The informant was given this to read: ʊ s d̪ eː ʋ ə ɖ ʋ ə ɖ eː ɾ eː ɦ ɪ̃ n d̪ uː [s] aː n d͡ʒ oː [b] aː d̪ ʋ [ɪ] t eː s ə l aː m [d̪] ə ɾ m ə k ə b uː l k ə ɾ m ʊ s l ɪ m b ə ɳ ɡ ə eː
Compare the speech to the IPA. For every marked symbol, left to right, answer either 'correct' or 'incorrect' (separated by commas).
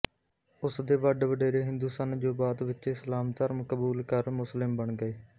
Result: correct, correct, correct, incorrect